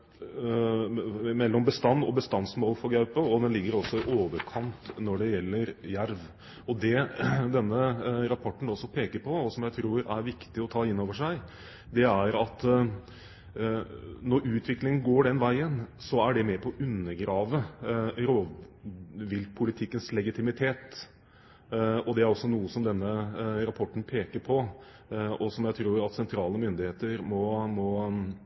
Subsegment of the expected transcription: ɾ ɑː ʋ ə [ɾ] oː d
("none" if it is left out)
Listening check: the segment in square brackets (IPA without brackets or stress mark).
ɾ